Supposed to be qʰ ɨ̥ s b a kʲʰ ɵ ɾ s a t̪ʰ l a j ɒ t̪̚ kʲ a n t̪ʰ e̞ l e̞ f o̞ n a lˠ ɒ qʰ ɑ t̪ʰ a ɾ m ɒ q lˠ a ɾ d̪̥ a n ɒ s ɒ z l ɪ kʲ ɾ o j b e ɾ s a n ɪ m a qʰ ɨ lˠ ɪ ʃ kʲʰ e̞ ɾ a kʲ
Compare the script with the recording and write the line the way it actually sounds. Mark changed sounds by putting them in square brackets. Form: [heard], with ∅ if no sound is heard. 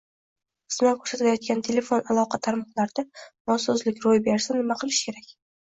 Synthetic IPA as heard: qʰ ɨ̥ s [m] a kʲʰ ɵ ɾ s a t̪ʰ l a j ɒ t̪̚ kʲ a n t̪ʰ e̞ l e̞ f o̞ n a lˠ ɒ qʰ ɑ t̪ʰ a ɾ m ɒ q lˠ a ɾ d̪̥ a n ɒ s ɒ z l ɪ kʲ ɾ o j b e ɾ s a n ɪ m a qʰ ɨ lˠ ɪ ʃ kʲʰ e̞ ɾ a kʲ